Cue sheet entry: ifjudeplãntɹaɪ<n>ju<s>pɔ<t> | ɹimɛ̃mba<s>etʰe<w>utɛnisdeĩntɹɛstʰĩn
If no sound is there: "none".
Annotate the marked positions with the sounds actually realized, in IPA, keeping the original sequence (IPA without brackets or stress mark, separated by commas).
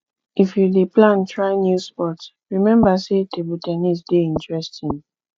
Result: n, s, t, s, b